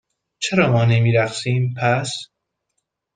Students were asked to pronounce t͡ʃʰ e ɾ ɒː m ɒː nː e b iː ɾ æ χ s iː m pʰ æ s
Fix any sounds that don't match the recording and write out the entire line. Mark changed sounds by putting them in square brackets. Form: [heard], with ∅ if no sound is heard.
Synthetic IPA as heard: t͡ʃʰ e ɾ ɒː m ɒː [n] e [m] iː ɾ æ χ s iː m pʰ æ s